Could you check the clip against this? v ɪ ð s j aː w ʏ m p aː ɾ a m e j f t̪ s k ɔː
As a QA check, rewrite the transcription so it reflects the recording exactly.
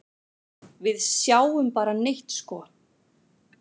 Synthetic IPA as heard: v ɪ ð s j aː w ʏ m p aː ɾ a n e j h t̪ s k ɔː